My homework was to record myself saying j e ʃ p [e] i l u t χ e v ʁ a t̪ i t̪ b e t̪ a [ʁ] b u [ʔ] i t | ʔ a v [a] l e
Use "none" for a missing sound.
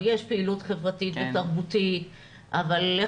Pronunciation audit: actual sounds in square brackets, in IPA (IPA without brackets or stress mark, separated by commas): e, ʁ, t, a